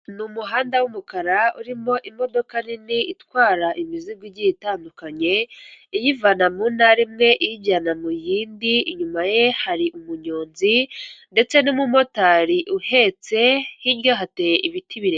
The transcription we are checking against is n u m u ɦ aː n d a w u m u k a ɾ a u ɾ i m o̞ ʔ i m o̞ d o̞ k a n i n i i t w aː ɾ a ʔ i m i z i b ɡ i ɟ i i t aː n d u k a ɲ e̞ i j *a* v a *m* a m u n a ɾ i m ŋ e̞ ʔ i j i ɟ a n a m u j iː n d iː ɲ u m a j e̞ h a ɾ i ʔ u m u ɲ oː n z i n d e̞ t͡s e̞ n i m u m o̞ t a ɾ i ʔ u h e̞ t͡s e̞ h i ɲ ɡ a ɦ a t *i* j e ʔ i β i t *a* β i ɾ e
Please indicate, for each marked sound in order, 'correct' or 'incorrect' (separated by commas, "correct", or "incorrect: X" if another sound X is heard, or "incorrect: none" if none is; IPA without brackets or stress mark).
incorrect: i, incorrect: n, incorrect: e, incorrect: i